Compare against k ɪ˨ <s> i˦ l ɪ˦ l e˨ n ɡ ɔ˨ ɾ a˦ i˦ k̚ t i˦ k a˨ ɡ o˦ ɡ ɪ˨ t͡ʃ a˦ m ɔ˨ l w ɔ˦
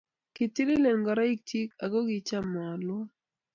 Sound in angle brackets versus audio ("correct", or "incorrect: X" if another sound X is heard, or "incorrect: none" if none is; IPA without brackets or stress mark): incorrect: t